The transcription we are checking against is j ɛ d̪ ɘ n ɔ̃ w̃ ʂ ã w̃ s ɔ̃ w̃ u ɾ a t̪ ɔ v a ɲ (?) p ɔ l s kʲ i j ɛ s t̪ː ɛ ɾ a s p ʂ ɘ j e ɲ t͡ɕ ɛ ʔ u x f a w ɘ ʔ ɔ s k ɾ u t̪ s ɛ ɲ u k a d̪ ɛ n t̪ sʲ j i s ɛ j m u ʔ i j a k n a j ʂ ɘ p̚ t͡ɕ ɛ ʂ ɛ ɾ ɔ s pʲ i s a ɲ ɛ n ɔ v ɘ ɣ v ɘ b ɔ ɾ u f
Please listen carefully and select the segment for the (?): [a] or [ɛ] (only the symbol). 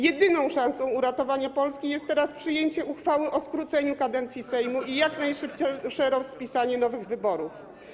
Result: a